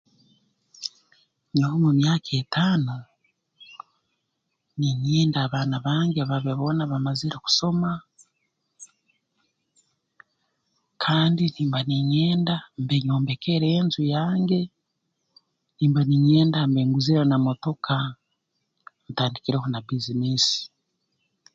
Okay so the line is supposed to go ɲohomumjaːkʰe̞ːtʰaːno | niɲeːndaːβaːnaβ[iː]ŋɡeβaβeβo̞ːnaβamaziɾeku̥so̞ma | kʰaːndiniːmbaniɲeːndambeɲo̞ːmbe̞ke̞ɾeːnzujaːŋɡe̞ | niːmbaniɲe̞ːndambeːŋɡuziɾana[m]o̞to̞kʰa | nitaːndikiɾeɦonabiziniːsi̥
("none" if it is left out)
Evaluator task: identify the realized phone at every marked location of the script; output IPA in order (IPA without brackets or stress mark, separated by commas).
aː, m